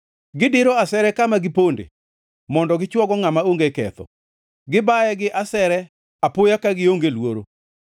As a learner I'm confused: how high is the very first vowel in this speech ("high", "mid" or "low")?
high